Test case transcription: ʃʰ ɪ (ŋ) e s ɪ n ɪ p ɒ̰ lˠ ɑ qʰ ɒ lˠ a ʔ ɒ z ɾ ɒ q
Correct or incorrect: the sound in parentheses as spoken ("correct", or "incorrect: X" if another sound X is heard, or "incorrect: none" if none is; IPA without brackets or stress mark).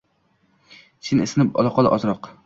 incorrect: n